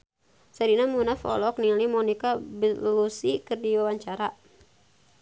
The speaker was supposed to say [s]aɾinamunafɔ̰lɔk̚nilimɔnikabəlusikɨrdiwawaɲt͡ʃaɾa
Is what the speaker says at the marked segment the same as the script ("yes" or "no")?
yes